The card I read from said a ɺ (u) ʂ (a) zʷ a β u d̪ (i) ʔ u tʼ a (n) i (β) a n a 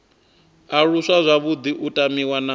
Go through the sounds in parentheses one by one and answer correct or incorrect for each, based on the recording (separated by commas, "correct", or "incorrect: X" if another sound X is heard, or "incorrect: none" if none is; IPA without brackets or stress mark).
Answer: correct, correct, correct, incorrect: m, incorrect: w